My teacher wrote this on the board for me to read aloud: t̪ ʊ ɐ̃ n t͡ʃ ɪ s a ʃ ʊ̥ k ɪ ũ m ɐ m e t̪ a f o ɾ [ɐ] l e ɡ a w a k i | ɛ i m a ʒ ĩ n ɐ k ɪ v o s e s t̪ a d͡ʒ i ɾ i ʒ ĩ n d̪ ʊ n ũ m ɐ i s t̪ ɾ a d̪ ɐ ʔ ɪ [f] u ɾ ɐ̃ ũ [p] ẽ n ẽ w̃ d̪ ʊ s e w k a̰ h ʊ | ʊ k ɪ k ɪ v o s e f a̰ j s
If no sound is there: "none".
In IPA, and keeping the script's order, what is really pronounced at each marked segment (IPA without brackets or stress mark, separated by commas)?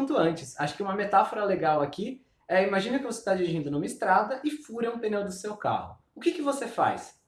ɐ, f, p